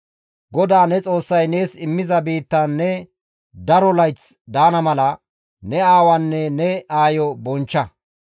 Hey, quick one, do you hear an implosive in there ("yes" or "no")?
no